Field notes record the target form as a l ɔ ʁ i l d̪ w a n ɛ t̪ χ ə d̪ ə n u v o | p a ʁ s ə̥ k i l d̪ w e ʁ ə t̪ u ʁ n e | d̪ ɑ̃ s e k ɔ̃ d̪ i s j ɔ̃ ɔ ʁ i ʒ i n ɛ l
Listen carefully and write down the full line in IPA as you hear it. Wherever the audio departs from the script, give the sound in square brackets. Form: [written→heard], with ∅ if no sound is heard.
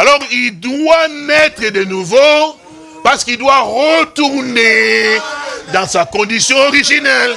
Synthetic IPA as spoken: a l ɔ ʁ i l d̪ w a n ɛ t̪ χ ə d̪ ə n u v o | p a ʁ s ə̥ k i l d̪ w [e→a] ʁ ə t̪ u ʁ n e | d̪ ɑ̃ s [e→a] k ɔ̃ d̪ i s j ɔ̃ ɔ ʁ i ʒ i n ɛ l